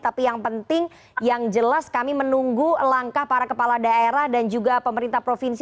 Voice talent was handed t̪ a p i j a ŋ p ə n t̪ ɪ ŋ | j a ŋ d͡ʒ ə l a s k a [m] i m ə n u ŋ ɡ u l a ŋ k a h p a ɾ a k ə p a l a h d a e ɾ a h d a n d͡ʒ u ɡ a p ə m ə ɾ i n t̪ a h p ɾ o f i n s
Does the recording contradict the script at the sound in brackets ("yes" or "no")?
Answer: no